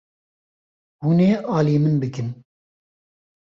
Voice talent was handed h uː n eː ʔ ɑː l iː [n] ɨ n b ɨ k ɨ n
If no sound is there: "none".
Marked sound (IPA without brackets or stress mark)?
m